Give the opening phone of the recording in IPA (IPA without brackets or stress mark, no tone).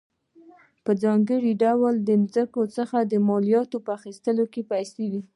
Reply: p